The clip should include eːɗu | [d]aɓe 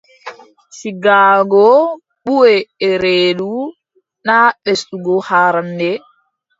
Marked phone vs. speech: incorrect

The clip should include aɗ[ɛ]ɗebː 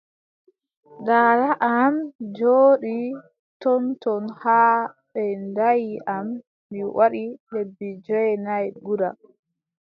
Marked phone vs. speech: incorrect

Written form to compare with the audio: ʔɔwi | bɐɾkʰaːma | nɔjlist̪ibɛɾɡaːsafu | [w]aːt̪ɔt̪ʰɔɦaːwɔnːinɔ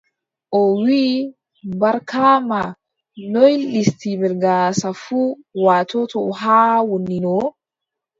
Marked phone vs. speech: correct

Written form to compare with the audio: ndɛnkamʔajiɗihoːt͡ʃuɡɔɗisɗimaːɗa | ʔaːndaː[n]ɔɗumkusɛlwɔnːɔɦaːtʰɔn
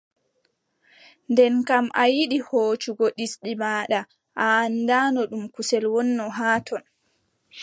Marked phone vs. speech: correct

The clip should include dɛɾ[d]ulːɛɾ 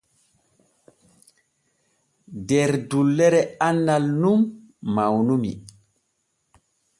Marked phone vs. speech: correct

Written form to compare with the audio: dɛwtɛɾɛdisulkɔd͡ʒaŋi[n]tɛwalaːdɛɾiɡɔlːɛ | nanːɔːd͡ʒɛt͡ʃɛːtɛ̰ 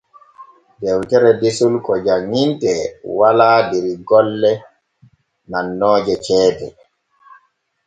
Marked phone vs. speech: correct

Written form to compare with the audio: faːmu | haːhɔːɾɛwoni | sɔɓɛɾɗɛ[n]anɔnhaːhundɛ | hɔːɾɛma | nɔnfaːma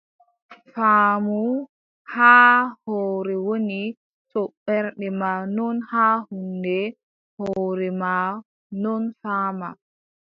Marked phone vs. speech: incorrect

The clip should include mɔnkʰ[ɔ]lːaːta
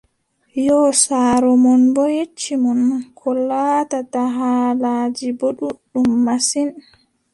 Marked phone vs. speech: correct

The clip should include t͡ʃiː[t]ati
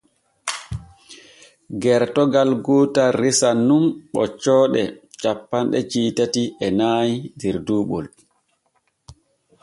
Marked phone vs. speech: correct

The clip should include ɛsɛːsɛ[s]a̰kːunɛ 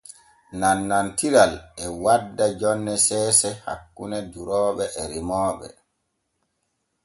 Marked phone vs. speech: incorrect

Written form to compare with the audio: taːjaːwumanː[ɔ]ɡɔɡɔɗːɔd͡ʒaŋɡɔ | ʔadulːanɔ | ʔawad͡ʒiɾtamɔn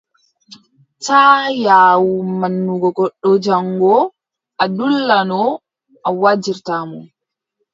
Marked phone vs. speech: incorrect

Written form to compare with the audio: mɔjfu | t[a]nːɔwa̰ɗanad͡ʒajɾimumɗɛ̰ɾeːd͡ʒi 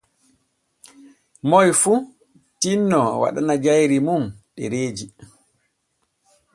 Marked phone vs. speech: incorrect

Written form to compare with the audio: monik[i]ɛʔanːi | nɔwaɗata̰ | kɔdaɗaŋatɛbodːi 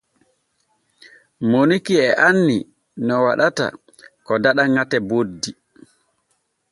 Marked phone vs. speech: correct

